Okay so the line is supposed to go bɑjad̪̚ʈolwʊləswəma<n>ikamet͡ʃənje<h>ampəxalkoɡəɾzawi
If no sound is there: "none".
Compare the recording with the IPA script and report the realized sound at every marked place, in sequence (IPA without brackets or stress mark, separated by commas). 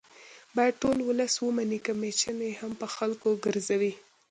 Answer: n, h